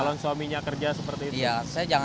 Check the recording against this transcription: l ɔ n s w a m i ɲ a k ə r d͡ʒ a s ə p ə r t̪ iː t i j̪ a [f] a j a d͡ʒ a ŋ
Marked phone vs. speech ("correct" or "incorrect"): incorrect